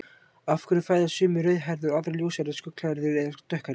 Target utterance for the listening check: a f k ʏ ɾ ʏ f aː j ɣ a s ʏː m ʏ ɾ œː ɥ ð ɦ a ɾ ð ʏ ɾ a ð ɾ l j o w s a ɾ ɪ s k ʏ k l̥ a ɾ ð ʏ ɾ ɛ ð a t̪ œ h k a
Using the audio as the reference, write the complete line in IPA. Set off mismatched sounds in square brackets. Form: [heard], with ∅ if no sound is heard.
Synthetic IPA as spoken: a f k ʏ ɾ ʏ f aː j [ð] a s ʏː m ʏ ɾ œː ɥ ð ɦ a ɾ ð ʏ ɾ a ð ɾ l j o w s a ɾ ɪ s k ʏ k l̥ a ɾ ð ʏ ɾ ɛ ð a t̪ œ h k a